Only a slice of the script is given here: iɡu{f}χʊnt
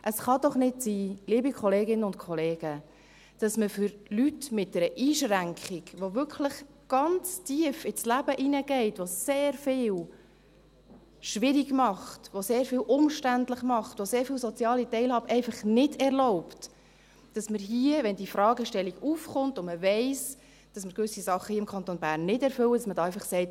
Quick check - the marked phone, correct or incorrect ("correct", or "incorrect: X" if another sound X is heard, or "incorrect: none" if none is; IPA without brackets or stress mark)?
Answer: correct